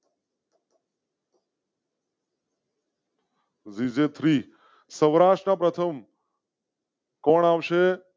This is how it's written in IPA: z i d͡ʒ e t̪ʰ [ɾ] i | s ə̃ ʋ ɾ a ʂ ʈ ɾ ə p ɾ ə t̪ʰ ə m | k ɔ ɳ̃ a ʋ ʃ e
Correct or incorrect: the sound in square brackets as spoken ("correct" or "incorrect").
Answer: correct